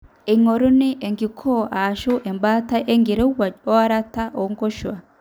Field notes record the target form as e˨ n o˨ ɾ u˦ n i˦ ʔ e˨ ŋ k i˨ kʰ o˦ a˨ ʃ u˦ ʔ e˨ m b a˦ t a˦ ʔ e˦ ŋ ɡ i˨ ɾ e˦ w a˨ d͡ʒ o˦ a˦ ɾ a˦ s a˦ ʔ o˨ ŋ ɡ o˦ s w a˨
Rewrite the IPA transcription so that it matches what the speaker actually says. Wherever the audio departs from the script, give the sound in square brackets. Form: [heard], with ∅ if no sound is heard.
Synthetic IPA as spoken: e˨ [ŋ] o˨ ɾ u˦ n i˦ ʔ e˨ ŋ [ɡ] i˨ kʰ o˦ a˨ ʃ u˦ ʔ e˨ m b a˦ t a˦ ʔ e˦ ŋ ɡ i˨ ɾ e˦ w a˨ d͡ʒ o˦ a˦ ɾ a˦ [t] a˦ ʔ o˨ ŋ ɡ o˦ [ʃ] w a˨